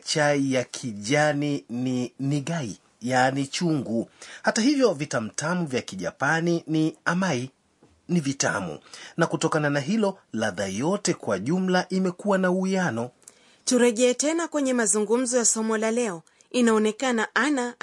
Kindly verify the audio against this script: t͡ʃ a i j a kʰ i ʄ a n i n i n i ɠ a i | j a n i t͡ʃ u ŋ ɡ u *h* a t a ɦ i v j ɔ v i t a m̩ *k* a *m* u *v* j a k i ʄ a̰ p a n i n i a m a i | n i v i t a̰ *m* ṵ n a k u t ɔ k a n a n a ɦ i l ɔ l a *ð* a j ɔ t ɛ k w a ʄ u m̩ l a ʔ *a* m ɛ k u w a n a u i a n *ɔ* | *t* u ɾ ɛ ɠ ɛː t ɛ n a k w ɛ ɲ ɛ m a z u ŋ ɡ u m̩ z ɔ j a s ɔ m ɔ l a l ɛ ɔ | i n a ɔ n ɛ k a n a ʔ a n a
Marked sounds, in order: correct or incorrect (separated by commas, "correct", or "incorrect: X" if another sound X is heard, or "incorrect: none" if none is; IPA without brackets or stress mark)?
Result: correct, incorrect: t, correct, correct, correct, correct, incorrect: i, correct, correct